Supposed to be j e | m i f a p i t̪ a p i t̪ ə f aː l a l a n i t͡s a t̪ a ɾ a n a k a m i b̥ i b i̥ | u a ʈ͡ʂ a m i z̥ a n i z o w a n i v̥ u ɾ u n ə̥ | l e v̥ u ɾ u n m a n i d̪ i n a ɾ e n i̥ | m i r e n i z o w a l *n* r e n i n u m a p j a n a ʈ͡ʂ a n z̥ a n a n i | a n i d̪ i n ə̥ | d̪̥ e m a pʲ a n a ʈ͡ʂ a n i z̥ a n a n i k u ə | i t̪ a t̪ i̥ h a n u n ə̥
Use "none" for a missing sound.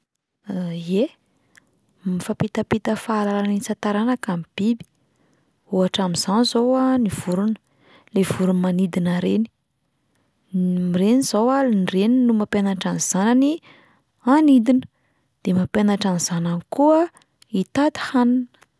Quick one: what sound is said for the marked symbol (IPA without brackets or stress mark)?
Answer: n